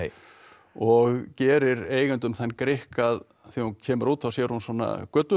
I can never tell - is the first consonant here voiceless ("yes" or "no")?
no